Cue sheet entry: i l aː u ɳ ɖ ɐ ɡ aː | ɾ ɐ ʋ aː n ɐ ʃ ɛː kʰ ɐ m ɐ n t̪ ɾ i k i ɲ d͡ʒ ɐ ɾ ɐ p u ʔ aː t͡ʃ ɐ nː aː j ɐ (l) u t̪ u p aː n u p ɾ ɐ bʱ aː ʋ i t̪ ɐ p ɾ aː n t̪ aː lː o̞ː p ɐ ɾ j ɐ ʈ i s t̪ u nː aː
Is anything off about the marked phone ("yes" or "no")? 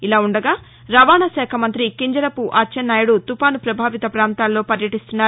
yes